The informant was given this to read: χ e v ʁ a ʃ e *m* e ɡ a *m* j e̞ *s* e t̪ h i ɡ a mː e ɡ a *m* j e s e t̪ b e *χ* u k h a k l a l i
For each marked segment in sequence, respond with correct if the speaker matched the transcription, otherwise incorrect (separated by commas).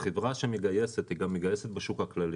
correct, incorrect, correct, incorrect, incorrect